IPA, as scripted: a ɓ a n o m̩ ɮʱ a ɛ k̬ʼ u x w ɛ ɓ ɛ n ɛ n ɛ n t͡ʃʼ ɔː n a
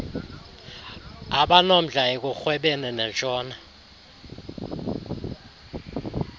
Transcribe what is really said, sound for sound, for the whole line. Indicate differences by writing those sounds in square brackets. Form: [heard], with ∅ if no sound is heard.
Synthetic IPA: a ɓ a n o m̩ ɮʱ a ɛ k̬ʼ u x w ɛ ɓ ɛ n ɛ n ɛ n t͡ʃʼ ɔː n a